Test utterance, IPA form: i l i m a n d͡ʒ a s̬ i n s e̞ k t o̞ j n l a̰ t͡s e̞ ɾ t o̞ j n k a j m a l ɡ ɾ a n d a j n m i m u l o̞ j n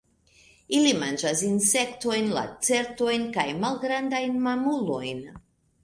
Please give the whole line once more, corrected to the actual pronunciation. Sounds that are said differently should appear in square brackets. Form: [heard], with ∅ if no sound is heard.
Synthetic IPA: i l i m a n d͡ʒ a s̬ i n s e̞ k t o̞ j n l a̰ t͡s e̞ ɾ t o̞ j n k a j m a l ɡ ɾ a n d a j n m [a] m u l o̞ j n